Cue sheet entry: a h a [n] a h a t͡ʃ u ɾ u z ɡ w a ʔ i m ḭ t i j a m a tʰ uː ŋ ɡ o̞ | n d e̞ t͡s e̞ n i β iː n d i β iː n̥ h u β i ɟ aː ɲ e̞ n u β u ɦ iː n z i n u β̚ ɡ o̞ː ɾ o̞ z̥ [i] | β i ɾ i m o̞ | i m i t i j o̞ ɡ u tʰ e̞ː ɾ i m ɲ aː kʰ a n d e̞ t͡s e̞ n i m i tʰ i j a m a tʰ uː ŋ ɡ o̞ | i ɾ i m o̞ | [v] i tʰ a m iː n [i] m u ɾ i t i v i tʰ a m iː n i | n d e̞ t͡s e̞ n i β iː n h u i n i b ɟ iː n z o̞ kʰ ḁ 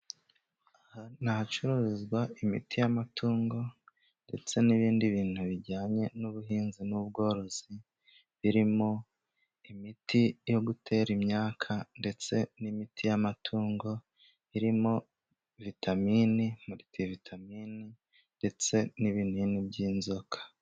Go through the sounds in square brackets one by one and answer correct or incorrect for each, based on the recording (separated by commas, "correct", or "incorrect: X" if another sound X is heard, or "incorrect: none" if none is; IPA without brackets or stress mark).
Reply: correct, correct, correct, correct